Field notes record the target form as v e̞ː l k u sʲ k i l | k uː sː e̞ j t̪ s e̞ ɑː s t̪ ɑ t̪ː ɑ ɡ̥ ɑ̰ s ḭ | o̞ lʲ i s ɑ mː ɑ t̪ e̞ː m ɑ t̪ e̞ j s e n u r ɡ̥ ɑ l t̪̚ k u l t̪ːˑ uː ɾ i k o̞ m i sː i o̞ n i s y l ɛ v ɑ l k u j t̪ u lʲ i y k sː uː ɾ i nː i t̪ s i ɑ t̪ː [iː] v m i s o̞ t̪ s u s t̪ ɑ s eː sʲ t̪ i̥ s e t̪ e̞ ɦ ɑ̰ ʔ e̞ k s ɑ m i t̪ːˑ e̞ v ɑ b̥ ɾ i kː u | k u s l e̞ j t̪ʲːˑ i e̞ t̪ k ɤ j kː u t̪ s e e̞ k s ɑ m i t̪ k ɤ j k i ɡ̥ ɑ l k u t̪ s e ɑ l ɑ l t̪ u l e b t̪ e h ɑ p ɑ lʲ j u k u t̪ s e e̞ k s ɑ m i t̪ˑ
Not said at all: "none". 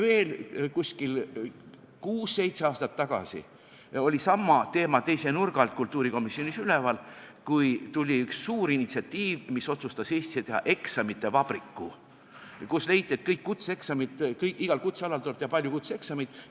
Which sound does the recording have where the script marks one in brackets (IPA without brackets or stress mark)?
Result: iː